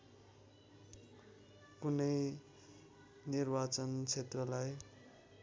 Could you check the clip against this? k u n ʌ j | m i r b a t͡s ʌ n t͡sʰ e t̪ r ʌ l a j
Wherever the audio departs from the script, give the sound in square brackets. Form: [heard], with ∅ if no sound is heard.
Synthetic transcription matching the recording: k u n ʌ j | [n] i r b a t͡s ʌ n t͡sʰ e t̪ r ʌ l a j